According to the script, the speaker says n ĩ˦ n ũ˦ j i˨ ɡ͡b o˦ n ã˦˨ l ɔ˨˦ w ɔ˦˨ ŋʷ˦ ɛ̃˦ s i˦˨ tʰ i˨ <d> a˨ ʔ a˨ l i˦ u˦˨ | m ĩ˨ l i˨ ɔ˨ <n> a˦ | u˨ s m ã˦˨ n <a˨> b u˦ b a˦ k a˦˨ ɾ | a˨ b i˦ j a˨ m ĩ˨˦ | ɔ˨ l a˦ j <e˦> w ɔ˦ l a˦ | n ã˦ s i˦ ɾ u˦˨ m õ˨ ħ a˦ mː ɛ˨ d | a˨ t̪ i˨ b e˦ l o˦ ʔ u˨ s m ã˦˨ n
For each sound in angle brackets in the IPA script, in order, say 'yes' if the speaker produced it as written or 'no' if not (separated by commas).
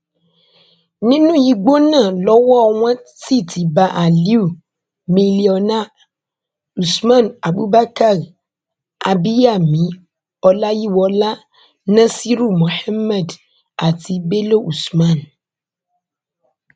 no, yes, yes, no